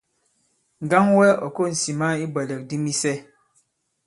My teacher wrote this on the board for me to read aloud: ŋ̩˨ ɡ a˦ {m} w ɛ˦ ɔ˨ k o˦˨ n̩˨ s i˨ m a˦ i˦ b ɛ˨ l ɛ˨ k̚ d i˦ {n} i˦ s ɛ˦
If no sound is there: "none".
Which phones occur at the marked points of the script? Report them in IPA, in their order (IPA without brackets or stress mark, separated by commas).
ŋ, m